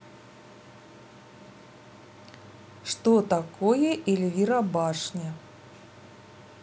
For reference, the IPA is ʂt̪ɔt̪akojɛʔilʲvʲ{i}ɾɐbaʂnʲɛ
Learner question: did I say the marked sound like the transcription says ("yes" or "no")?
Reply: yes